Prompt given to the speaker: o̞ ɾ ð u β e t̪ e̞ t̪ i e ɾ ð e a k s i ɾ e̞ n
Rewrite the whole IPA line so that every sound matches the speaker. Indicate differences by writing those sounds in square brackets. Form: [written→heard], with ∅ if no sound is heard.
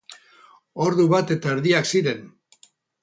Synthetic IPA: o̞ ɾ ð u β [e→a] t̪ e̞ t̪ [i→a] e ɾ ð [e→i] a k s i ɾ e̞ n